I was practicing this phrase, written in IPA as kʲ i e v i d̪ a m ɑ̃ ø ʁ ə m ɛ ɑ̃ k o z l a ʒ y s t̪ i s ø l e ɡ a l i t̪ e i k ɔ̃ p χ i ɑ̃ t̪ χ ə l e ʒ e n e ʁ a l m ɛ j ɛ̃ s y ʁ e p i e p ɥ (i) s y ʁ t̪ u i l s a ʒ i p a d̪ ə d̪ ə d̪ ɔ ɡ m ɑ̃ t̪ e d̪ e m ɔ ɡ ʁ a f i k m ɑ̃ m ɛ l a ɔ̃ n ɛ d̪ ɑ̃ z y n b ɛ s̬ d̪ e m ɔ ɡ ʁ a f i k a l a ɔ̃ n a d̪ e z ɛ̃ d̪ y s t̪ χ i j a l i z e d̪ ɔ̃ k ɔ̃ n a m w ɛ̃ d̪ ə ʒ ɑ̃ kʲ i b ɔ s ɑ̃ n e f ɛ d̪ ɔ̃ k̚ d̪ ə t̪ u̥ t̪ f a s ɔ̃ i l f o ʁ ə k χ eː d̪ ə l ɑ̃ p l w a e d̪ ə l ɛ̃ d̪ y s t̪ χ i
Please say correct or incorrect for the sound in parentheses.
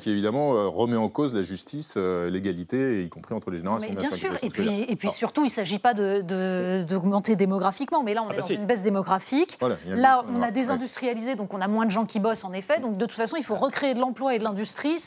correct